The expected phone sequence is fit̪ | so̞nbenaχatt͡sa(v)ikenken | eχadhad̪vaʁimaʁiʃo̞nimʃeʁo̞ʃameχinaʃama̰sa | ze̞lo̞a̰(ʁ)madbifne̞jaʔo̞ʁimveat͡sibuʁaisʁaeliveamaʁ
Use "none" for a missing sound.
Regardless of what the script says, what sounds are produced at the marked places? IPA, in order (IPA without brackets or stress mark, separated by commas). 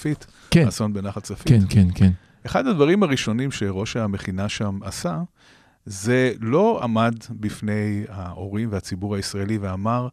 f, none